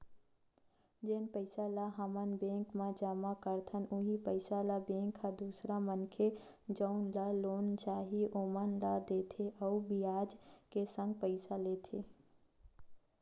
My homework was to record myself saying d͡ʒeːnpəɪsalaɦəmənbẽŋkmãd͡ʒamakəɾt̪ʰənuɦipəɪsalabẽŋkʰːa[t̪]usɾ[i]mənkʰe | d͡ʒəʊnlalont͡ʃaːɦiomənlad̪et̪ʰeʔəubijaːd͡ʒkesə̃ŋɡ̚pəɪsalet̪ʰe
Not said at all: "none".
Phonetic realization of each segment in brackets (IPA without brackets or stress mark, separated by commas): d̪, a